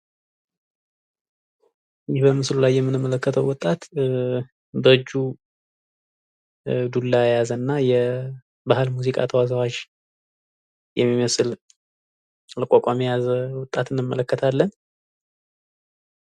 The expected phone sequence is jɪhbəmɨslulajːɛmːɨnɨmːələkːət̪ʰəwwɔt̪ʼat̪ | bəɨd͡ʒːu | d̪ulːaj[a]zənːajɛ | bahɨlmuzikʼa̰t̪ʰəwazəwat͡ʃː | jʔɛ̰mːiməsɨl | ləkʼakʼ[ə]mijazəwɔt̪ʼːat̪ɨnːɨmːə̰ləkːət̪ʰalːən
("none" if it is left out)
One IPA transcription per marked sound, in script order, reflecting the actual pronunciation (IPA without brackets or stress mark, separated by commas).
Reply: a, a